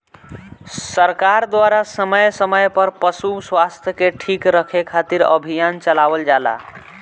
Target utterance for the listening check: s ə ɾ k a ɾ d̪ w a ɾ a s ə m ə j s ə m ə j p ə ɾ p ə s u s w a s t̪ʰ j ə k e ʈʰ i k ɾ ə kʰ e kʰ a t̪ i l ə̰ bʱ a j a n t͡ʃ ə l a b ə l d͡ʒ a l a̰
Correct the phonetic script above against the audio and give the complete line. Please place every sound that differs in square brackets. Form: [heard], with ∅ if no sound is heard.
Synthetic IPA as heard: s ə ɾ k a ɾ d̪ w a ɾ a s ə m ə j s ə m ə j p ə ɾ p ə s u s w a s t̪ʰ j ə k e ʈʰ i k ɾ ə kʰ e kʰ a t̪ i [ɾ] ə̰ bʱ [i] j a n t͡ʃ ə l a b ə l d͡ʒ a l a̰